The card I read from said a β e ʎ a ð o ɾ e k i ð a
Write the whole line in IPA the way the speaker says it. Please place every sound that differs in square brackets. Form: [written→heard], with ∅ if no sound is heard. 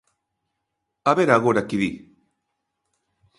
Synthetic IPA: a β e [ʎ→ɾ] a [ð→ɣ] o ɾ [e→a] k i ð [a→i]